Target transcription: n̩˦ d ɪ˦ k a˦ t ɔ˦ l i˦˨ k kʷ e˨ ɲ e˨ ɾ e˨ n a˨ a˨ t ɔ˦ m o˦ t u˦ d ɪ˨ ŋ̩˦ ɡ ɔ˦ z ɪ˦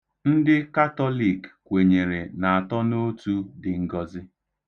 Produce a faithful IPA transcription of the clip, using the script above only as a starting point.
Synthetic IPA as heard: n̩˦ d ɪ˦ k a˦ t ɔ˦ l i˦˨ k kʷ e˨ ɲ e˨ ɾ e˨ n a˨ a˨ t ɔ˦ n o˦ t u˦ d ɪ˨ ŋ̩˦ ɡ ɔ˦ z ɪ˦